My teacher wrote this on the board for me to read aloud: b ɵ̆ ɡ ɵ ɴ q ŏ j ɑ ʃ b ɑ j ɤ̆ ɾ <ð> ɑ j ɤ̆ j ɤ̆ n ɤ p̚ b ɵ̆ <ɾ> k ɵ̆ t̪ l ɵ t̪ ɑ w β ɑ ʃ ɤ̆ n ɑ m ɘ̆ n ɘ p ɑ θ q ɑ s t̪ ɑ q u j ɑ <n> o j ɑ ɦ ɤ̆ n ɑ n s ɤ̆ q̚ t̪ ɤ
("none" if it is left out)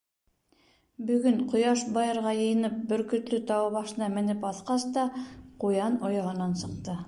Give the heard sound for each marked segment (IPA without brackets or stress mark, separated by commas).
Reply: ʁ, ɾ, n